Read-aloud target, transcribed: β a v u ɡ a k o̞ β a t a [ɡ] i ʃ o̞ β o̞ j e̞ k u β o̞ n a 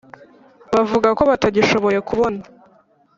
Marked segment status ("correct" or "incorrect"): incorrect